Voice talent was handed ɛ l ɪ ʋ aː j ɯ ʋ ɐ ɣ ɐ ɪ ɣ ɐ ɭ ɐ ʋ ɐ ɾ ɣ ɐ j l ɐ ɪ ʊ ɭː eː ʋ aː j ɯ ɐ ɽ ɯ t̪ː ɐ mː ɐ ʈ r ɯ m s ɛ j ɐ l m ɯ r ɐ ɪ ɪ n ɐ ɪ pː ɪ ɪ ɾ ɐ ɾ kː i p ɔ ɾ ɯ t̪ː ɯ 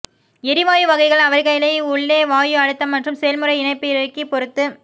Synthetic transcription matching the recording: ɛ ɾ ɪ ʋ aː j ɯ ʋ ɐ ɣ ɐ ɪ ɣ ɐ ɭ ɐ ʋ ɐ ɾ ɣ ɐ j l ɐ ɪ ʊ ɭː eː ʋ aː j ɯ ɐ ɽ ɯ t̪ː ɐ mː ɐ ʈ r ɯ m s ɛ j ɐ l m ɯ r ɐ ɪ ɪ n ɐ ɪ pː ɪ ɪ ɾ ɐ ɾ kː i p ɔ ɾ ɯ t̪ː ɯ

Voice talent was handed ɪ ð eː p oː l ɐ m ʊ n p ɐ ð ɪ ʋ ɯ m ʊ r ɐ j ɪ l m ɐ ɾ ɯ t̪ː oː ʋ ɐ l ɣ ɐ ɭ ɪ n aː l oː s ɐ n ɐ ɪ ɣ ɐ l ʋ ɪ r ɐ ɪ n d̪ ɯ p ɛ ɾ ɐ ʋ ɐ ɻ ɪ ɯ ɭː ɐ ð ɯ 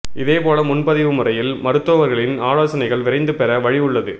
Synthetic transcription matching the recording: ɪ ð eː p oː l ɐ m ʊ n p ɐ ð ɪ ʋ ɯ m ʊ r ɐ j ɪ l m ɐ ɾ ɯ t̪ː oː ʋ ɐ ɾ ɣ ɐ ɭ ɪ n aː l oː s ɐ n ɐ ɪ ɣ ɐ ɭ ʋ ɪ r ɐ ɪ n d̪ ɯ p ɛ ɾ ɐ ʋ ɐ ɻ ɪ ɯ ɭː ɐ ð ɯ

